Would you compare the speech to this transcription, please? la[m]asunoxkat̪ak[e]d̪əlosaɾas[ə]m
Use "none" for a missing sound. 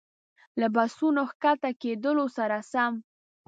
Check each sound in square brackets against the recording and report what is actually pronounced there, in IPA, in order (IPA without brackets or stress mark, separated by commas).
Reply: b, e, a